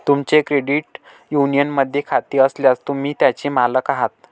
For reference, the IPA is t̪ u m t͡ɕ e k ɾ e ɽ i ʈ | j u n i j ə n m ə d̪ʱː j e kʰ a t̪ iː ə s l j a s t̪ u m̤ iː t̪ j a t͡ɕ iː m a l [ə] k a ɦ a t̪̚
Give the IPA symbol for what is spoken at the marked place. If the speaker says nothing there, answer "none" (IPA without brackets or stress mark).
ə